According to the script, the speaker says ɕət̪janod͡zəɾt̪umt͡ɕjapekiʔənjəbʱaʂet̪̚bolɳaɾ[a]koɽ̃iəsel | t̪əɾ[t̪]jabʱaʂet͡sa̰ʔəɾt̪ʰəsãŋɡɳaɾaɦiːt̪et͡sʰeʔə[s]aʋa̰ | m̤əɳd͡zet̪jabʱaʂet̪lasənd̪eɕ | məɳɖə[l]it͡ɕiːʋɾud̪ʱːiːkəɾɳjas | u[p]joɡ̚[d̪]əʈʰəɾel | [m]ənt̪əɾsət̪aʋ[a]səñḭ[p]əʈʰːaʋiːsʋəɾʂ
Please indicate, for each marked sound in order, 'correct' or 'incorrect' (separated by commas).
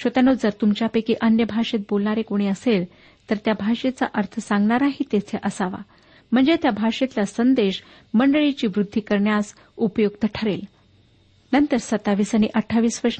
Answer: incorrect, correct, correct, incorrect, correct, incorrect, incorrect, incorrect, incorrect